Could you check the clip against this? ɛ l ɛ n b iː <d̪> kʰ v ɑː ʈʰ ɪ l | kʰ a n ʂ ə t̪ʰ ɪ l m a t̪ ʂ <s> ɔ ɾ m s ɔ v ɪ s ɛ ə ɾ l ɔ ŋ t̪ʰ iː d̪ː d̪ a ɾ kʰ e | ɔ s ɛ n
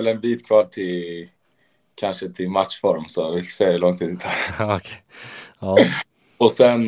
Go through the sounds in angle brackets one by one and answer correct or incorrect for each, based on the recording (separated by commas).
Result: incorrect, incorrect